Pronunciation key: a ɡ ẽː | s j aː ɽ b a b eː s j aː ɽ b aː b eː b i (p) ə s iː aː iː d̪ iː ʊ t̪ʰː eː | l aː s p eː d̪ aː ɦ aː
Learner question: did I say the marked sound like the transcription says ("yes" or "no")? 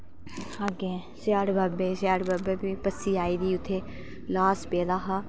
yes